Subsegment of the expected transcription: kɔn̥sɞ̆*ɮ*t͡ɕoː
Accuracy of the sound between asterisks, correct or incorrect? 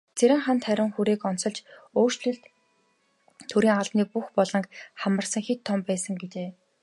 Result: correct